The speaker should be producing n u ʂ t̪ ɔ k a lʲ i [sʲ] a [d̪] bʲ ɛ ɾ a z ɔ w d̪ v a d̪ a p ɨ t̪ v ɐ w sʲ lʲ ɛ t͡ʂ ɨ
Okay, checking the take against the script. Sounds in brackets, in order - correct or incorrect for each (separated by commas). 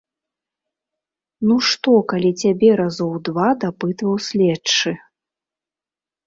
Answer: incorrect, incorrect